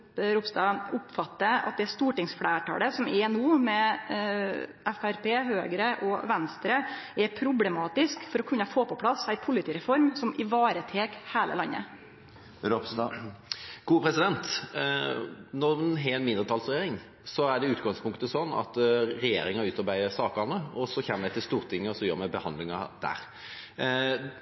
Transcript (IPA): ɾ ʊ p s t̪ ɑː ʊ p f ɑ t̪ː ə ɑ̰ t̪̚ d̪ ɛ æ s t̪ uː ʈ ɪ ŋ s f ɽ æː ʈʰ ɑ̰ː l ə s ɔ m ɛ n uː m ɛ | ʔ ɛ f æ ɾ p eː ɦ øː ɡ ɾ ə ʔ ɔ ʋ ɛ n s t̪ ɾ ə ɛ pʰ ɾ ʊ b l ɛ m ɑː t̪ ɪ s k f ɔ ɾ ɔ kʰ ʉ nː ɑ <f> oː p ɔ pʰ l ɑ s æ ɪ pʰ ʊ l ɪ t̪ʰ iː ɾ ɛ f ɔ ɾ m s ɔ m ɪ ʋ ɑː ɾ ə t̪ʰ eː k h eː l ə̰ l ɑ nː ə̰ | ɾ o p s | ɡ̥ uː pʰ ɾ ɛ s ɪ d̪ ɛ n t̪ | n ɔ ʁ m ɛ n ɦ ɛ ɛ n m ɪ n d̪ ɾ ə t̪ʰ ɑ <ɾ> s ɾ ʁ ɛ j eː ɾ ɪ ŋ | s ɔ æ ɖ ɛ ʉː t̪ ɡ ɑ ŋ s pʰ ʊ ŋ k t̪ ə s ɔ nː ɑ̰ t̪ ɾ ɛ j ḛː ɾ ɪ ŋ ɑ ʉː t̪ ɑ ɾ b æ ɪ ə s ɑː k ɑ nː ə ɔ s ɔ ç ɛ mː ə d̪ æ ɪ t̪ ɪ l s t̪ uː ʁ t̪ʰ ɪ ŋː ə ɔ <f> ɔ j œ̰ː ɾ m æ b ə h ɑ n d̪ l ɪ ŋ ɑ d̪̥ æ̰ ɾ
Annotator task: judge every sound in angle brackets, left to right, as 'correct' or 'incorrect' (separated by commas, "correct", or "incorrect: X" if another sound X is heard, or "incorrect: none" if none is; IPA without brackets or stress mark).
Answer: correct, incorrect: l, incorrect: s